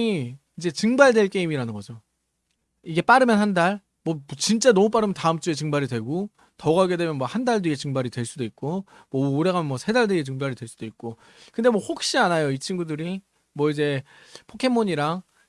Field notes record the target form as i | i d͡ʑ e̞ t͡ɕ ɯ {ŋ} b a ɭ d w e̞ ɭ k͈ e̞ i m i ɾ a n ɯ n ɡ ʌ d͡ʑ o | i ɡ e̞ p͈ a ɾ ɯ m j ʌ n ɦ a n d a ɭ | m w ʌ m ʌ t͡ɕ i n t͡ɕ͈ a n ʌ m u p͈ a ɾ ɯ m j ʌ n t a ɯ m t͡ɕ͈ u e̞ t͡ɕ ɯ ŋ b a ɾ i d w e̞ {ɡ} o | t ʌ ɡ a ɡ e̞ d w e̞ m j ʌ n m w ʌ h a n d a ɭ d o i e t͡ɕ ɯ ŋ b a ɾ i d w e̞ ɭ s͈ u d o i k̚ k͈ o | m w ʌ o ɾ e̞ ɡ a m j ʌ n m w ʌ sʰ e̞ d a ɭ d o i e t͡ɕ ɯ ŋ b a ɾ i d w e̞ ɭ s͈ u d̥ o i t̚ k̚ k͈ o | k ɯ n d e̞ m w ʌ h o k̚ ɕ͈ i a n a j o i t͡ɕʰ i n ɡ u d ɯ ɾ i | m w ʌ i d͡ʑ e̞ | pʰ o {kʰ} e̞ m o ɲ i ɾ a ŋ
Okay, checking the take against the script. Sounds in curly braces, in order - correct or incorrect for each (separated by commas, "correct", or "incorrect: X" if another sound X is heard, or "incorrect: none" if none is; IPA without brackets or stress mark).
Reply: correct, correct, correct